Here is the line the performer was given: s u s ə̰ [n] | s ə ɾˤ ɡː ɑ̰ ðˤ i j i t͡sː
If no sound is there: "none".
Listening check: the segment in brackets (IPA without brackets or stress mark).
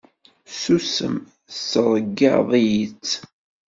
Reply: m